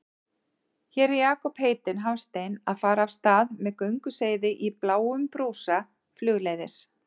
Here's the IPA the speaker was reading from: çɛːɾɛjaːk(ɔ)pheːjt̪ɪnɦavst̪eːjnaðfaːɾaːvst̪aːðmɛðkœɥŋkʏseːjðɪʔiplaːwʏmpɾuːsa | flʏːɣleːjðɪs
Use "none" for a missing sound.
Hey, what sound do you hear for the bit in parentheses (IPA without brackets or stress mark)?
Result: ɔ